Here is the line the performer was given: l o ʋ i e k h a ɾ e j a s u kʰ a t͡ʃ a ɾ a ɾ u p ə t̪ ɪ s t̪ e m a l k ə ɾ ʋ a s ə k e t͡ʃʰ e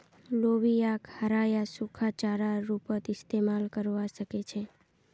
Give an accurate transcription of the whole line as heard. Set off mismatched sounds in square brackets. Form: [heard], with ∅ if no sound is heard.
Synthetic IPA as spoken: l o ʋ i [a] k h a ɾ [a] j a s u kʰ a t͡ʃ a ɾ a ɾ u p ə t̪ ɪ s t̪ e m a l k ə ɾ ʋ a [ʃ] ə k e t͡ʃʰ e